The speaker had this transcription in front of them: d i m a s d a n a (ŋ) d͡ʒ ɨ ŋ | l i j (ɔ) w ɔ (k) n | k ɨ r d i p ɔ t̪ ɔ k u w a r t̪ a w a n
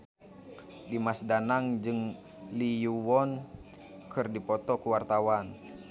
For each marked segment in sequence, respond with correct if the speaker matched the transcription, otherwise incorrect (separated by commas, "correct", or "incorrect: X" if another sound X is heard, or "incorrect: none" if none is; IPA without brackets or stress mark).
correct, incorrect: u, incorrect: none